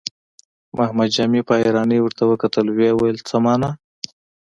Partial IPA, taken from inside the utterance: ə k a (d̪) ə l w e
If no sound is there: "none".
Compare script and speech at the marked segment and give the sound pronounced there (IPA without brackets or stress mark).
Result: t̪